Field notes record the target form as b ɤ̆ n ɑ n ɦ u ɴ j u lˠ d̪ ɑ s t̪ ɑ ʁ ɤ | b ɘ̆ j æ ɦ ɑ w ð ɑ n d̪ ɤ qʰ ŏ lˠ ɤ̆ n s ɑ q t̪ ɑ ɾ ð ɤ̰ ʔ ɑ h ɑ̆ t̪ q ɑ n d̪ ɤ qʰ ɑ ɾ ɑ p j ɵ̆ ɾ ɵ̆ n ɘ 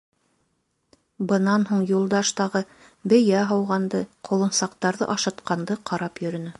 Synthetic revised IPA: b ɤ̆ n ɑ n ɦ u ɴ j u lˠ d̪ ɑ ʃ t̪ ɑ ʁ ɤ | b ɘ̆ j æ ɦ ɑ w ʁ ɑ n d̪ ɤ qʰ ŏ lˠ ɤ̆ n s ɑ q t̪ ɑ ɾ ð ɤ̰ ʔ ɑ ʃ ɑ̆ t̪ q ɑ n d̪ ɤ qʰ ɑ ɾ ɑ p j ɵ̆ ɾ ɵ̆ n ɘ